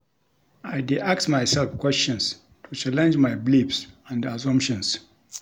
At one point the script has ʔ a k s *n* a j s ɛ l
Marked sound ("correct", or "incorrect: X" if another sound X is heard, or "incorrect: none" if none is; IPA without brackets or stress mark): incorrect: m